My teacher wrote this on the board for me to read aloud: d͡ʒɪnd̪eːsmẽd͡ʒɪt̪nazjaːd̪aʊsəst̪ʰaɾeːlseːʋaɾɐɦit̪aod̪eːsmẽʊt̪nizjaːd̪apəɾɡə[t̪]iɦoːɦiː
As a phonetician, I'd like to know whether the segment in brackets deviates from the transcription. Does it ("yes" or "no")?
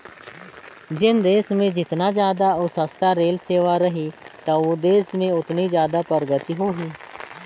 no